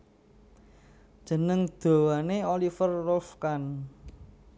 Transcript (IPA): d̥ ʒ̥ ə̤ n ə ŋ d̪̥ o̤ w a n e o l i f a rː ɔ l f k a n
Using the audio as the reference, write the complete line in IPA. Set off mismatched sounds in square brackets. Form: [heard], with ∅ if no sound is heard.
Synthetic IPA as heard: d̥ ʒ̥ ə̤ n ə ŋ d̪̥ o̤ w a n e o l i f [ə] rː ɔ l f k a n